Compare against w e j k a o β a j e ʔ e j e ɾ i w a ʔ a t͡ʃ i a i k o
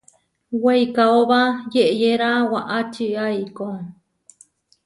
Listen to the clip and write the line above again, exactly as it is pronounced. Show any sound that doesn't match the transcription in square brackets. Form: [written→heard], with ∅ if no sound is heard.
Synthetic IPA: w e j k a o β a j e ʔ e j e ɾ [i→a] w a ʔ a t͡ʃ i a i k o